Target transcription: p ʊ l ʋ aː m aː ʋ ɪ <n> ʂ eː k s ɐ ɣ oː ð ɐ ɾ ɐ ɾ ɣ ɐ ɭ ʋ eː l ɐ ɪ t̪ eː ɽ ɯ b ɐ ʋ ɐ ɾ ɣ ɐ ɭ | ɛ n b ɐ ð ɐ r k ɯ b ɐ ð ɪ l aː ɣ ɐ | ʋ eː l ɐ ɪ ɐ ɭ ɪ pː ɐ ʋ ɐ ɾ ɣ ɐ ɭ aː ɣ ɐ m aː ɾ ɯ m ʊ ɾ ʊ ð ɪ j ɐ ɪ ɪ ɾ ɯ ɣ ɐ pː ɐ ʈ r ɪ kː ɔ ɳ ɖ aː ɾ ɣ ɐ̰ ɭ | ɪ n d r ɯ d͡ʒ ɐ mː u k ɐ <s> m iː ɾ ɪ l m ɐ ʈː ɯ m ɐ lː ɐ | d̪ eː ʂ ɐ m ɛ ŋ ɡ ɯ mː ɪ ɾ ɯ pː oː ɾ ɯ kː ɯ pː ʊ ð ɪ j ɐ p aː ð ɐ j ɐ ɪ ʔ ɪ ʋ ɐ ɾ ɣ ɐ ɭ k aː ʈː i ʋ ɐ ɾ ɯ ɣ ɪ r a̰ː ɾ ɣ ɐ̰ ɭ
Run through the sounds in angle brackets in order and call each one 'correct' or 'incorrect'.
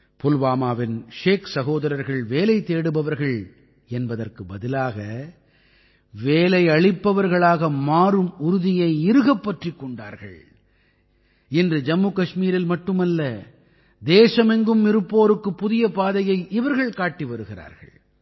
correct, incorrect

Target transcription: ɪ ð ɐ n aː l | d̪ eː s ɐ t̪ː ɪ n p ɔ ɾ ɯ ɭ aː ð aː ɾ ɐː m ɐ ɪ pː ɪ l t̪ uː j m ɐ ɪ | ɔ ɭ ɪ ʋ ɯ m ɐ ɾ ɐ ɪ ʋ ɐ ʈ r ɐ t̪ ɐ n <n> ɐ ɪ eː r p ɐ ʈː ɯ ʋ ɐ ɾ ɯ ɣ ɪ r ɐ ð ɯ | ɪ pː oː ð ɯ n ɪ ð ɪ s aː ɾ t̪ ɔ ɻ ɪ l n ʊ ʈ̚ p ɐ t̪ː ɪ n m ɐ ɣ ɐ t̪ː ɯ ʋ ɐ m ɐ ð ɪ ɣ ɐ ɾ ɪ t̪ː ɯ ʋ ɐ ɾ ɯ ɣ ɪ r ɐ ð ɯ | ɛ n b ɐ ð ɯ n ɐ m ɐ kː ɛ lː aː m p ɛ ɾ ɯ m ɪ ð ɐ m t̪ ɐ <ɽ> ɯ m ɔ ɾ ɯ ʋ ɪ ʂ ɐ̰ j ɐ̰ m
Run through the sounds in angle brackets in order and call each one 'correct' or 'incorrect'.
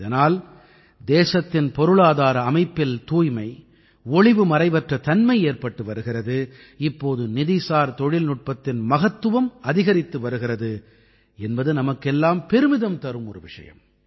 incorrect, incorrect

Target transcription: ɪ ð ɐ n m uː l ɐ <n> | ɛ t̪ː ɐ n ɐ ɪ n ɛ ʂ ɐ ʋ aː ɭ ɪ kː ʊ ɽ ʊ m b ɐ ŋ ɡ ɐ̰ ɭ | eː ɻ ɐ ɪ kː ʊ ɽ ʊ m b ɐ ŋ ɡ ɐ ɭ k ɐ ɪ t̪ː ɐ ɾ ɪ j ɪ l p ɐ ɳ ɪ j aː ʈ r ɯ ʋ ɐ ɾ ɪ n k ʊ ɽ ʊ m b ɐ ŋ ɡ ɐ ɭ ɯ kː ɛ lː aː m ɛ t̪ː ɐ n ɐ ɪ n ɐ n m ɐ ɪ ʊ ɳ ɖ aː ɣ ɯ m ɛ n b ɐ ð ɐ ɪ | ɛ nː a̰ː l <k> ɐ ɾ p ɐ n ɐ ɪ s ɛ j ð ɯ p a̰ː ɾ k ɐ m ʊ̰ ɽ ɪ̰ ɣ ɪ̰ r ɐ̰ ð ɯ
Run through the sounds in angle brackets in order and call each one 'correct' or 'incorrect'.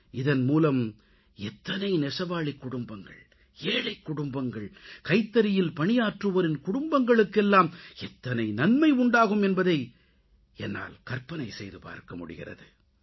incorrect, correct

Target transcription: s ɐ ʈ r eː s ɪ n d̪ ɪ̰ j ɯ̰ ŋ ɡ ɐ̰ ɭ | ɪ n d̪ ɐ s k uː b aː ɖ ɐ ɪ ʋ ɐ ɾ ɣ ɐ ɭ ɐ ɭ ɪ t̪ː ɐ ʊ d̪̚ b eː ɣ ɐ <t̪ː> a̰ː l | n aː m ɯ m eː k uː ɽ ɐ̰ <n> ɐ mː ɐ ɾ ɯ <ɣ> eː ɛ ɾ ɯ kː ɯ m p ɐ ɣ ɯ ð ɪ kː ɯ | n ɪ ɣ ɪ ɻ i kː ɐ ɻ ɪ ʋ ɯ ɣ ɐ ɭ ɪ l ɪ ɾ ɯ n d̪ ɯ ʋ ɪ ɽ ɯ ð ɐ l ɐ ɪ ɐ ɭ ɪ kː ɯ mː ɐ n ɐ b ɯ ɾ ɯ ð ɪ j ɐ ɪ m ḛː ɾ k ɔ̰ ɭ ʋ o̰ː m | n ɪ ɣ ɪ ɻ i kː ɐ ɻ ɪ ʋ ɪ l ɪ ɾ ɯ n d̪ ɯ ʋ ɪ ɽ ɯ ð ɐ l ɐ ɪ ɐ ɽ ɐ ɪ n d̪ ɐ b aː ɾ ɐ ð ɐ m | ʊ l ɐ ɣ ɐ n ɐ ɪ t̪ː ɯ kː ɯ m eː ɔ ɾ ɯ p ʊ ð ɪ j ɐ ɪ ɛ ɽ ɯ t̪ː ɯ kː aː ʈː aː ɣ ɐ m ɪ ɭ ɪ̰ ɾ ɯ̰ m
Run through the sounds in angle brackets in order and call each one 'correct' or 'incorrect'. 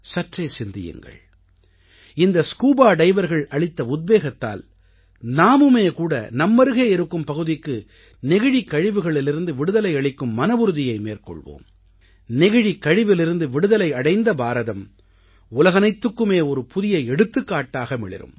correct, correct, correct

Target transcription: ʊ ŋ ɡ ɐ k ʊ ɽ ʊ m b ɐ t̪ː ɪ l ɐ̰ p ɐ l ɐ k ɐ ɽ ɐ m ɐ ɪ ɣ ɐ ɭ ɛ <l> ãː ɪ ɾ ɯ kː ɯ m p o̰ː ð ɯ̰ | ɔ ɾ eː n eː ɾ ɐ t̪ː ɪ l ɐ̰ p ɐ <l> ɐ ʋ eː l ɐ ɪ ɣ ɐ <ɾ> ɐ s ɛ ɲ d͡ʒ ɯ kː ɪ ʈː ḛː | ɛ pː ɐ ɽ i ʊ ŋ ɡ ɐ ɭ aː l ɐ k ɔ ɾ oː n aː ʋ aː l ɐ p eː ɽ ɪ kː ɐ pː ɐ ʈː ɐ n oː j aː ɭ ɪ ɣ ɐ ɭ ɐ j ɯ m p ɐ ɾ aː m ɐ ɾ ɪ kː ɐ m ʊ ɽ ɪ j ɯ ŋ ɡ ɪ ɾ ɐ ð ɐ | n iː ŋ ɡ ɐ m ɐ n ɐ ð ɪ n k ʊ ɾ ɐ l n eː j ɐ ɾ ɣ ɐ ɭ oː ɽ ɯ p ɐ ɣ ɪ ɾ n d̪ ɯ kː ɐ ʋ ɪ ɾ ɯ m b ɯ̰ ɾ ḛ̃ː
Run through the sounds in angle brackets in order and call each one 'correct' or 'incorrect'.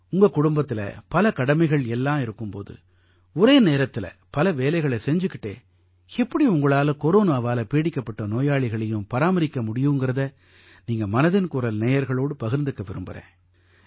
incorrect, correct, incorrect

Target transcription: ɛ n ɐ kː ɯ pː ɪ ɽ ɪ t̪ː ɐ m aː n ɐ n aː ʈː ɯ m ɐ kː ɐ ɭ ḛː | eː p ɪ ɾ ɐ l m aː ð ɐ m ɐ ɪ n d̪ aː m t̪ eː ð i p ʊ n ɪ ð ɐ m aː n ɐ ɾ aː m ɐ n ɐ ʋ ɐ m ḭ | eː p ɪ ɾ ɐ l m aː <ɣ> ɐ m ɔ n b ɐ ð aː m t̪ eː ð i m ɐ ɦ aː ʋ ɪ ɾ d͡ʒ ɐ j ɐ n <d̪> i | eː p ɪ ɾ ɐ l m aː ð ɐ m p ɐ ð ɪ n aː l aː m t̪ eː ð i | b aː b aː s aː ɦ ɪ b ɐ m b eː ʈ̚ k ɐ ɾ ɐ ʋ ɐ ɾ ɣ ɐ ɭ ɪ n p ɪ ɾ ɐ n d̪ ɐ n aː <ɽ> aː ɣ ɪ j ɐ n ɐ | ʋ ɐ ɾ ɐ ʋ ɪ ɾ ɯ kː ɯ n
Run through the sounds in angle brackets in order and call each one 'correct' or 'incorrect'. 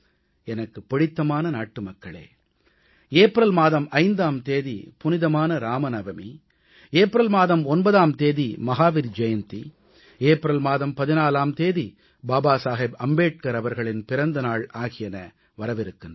incorrect, incorrect, incorrect

